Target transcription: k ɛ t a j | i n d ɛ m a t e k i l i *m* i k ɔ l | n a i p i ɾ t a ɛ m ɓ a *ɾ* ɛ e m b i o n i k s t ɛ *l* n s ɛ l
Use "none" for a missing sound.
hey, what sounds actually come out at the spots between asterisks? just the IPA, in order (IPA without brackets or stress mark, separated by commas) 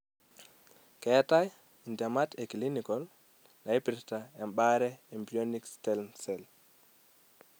n, ɾ, l